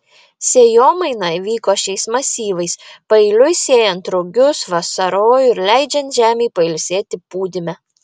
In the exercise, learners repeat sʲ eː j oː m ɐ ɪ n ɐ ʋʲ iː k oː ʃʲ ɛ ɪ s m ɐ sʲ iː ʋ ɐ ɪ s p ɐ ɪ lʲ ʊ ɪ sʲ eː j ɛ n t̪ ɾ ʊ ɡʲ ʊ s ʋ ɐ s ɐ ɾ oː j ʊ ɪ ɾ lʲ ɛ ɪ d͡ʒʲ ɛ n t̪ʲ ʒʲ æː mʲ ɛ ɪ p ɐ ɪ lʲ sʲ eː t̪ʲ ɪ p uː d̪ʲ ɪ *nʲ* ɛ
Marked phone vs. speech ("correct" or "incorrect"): incorrect